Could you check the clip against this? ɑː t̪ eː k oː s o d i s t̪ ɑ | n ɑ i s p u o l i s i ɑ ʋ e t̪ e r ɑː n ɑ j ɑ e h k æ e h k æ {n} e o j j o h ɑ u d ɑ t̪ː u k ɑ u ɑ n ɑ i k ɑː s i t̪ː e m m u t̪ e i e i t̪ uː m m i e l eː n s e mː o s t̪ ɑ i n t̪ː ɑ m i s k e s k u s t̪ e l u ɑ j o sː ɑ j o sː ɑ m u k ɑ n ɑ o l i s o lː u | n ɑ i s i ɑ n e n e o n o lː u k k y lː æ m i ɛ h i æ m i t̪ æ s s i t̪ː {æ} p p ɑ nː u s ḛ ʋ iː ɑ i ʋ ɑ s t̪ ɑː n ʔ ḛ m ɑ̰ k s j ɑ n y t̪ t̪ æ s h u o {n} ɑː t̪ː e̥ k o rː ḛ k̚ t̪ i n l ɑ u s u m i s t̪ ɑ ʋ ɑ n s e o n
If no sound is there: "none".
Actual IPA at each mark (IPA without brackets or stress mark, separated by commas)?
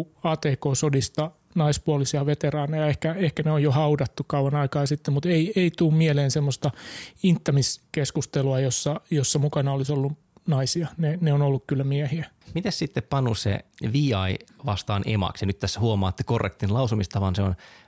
n, e, m